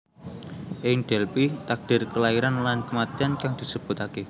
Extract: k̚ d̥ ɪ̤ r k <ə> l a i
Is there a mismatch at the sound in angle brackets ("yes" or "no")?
no